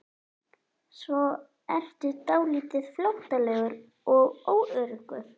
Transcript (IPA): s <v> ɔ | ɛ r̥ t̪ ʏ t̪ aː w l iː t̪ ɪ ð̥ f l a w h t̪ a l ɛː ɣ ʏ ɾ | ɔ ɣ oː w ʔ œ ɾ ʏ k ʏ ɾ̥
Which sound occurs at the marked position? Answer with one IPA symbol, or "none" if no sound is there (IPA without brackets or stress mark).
v